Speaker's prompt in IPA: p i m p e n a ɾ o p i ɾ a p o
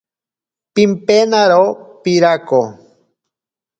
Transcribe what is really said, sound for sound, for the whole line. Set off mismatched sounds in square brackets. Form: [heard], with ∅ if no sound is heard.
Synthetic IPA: p i m p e n a ɾ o p i ɾ a [k] o